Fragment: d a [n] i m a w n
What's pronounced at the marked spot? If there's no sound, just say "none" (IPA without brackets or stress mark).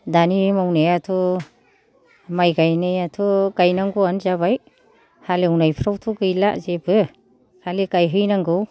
n